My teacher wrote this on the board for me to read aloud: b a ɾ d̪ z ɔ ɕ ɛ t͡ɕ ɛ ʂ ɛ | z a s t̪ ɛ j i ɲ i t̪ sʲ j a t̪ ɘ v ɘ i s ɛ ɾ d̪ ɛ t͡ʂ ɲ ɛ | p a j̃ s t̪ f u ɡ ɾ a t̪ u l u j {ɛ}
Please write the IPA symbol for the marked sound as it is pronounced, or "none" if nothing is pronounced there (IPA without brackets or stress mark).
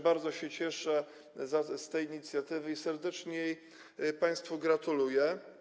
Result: ɛ